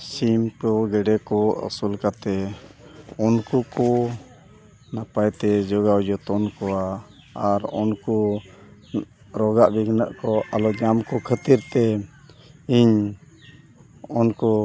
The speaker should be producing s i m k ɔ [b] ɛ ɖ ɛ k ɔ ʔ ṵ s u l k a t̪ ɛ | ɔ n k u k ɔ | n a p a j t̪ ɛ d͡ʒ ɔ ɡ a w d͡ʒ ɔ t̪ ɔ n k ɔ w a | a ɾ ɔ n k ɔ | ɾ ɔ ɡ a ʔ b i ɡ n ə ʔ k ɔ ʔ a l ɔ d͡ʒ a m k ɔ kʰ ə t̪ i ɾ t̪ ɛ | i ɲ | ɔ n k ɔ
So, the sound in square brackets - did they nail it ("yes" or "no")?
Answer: no